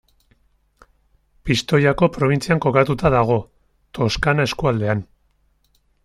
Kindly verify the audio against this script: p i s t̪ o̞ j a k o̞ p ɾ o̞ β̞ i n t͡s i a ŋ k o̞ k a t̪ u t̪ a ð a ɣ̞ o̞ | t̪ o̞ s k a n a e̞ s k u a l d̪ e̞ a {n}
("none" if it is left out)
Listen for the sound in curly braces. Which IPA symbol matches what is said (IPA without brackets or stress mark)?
n